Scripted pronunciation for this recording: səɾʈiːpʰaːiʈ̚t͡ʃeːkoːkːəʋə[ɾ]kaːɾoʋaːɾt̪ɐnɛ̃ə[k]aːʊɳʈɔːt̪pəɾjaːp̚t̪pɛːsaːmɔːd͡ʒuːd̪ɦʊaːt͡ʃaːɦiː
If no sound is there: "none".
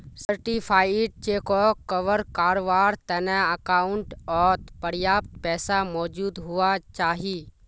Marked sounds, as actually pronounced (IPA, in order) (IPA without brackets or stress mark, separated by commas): ɾ, k